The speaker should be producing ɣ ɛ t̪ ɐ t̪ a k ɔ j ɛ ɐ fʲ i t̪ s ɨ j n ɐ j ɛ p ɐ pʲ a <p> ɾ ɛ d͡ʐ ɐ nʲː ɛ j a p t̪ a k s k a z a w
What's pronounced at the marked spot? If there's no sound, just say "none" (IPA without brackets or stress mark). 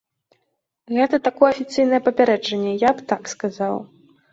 none